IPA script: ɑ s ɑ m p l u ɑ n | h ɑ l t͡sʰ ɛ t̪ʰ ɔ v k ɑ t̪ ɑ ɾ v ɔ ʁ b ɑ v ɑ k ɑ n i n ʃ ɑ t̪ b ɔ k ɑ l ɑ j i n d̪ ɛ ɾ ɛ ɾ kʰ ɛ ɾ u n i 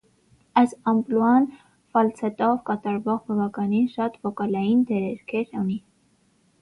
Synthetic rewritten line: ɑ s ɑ m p l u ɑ n | f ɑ l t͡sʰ ɛ t̪ ɔ v k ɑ t̪ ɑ ɾ v ɔ ʁ b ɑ v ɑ k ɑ n i n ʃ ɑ t̪ v ɔ k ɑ l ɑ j i n d̪ ɛ ɾ ɛ ɾ kʰ ɛ ɾ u n i